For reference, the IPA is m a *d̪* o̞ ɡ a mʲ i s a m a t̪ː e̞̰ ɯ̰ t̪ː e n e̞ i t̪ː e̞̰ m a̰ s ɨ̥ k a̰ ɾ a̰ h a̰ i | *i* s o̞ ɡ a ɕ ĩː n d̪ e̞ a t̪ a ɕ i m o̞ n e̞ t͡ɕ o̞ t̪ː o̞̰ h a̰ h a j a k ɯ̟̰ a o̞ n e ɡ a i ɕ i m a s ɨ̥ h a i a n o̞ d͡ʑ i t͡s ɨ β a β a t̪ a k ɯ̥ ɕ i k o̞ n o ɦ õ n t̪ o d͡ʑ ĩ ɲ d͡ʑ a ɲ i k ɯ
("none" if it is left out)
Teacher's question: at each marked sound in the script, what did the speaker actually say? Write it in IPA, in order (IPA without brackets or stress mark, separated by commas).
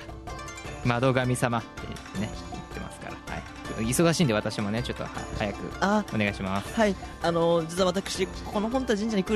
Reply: d̪, i